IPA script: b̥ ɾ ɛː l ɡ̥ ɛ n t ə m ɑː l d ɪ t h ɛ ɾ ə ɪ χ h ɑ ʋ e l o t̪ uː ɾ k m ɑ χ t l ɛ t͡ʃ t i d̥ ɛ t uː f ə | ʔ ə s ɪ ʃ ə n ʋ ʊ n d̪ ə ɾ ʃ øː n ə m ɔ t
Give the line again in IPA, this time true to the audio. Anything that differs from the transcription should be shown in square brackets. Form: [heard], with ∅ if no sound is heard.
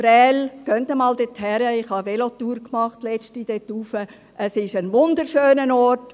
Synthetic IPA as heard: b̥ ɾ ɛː l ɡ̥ [œ] n t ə m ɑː l d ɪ t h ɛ ɾ ə ɪ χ h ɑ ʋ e l o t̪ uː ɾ k m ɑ χ t l ɛ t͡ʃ t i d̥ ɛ t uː f ə | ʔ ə s ɪ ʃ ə n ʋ ʊ n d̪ ə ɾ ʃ øː n ə [n] ɔ t